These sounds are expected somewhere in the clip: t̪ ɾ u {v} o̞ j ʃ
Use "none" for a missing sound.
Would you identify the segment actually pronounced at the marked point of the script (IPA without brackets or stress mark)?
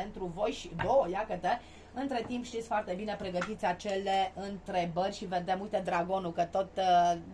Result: v